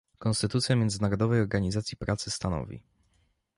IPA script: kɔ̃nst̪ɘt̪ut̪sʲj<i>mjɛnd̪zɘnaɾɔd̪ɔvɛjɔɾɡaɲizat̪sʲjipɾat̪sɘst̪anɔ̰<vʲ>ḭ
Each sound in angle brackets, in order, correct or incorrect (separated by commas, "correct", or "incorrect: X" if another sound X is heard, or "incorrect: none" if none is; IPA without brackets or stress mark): incorrect: a, correct